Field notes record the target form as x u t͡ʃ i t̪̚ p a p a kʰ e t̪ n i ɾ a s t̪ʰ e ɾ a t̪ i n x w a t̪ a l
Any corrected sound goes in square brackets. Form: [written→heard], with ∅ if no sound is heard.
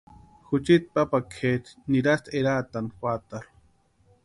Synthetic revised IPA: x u t͡ʃ i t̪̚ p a p a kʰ e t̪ n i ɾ a s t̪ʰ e ɾ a t̪ [i→a] n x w a t̪ a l